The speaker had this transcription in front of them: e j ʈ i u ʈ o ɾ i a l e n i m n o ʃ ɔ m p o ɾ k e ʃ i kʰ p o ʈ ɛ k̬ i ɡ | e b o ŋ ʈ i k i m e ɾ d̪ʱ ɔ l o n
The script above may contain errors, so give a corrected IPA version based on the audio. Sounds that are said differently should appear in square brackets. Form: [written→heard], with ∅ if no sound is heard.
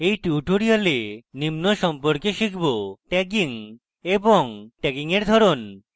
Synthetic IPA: e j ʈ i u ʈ o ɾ i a l e n i m n o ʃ ɔ m p o ɾ k e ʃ i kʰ [p→b] o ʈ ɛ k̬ i [ɡ→ŋ] | e b o ŋ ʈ [i→ɛ] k i [m→ŋ] e ɾ d̪ʱ ɔ [l→ɾ] o n